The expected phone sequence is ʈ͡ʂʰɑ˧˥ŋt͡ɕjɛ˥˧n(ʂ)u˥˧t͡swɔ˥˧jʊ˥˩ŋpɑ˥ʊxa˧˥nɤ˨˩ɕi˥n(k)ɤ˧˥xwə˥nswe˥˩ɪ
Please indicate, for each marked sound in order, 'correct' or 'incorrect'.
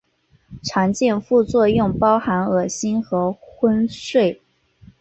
incorrect, incorrect

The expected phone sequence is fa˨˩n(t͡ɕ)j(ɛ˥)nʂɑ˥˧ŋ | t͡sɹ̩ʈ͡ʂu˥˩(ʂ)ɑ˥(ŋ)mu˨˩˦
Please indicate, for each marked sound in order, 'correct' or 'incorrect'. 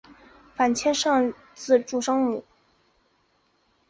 incorrect, correct, correct, correct

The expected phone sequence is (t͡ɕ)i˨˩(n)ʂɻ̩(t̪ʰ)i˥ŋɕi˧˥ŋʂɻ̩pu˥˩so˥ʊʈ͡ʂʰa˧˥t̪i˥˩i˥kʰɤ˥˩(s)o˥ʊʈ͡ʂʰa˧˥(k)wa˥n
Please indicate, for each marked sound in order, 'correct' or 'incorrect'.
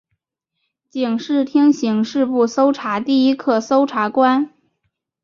correct, incorrect, correct, correct, correct

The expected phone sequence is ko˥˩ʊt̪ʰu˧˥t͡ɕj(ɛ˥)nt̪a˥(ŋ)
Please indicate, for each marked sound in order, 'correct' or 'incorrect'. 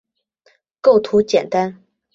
incorrect, incorrect

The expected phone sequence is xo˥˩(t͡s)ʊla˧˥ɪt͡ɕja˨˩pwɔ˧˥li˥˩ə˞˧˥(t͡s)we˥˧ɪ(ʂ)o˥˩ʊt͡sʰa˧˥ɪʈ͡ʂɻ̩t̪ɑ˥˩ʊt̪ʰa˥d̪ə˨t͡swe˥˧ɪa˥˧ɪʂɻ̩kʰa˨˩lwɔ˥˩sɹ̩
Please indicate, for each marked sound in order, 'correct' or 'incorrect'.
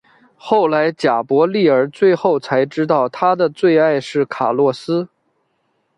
incorrect, correct, incorrect

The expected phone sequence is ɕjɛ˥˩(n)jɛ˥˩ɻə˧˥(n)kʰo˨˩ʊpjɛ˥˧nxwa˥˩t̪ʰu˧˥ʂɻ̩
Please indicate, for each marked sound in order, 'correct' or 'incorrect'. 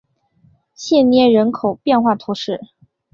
correct, correct

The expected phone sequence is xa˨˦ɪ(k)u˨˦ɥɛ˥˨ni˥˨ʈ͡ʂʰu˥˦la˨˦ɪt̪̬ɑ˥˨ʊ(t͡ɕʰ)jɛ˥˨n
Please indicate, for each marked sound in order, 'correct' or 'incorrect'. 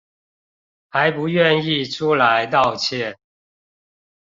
incorrect, correct

